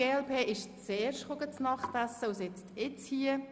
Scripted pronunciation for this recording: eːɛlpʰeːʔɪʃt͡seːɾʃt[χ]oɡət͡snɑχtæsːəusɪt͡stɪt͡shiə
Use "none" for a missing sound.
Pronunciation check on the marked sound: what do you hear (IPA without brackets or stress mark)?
χ